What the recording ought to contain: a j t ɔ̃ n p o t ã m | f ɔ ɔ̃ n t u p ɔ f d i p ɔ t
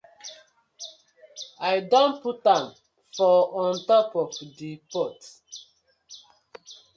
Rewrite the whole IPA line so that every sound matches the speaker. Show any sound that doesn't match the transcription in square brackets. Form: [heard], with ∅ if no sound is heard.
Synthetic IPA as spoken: a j [d] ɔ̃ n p [u] t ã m | f ɔ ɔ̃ n t [ɔ] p ɔ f d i p ɔ t